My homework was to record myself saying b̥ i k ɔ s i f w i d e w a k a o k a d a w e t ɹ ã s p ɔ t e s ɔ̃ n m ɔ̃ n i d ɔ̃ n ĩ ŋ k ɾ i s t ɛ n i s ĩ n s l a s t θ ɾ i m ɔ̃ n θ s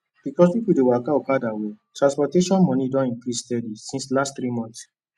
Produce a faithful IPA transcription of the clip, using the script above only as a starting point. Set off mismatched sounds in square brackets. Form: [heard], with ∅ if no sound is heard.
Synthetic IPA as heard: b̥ i k ɔ s i f w i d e w a k a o k a d a w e t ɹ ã s p ɔ t e [ʃ] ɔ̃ n m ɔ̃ n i d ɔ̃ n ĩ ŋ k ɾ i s t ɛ [d] i s ĩ n s l a s t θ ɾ i m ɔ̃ n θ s